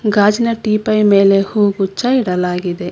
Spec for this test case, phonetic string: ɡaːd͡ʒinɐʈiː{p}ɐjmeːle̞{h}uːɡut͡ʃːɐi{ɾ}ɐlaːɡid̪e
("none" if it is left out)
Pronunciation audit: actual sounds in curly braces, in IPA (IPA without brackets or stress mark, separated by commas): p, h, ɽ